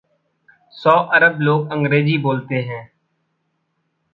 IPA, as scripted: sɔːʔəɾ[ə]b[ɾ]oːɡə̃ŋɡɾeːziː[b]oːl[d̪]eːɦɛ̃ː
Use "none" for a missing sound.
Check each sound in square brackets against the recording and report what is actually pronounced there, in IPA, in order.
ə, l, b, t̪

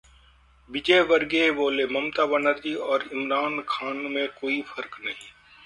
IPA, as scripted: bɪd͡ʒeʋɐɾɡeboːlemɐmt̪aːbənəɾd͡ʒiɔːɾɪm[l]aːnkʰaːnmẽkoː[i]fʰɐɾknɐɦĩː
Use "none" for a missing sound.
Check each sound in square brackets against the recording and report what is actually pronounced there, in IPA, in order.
ɾ, i

